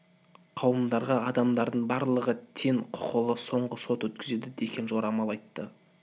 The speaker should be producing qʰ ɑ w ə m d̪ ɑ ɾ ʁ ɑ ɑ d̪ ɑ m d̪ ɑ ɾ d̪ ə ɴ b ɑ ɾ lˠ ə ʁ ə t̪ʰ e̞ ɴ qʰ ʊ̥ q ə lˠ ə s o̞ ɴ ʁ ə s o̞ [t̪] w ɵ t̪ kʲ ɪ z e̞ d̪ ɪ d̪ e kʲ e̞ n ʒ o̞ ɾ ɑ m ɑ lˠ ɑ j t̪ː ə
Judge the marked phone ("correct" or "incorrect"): correct